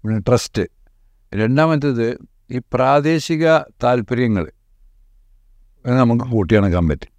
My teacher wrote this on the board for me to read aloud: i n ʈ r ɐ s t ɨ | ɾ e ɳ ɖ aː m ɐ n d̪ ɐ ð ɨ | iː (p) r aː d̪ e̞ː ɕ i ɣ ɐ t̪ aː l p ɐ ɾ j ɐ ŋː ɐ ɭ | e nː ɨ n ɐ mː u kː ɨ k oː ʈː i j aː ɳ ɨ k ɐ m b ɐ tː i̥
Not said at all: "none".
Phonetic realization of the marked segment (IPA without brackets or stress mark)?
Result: p